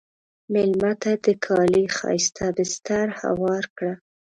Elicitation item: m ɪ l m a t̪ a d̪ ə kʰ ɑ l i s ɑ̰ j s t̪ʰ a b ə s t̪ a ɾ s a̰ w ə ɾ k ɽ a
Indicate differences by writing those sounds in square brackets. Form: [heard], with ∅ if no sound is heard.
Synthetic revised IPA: m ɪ l m a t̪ a d̪ ə kʰ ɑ l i [x] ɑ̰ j s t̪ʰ a b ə s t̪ a ɾ [h] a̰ w [ɑ] ɾ k ɽ a